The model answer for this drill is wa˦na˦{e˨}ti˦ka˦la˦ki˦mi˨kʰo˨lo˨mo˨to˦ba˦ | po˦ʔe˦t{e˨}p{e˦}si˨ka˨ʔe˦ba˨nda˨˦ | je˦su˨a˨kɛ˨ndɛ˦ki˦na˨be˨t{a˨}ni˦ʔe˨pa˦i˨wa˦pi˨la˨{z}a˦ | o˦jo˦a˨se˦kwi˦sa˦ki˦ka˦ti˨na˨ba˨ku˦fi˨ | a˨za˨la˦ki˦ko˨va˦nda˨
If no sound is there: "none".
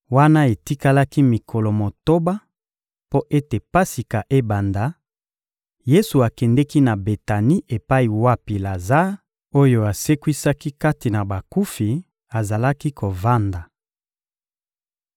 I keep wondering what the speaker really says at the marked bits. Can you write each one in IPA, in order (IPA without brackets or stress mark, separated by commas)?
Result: e˨, e˨, a˦, a˨, z